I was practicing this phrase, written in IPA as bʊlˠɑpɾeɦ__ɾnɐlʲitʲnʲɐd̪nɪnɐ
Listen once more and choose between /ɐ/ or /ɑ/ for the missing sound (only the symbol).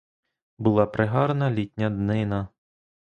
ɑ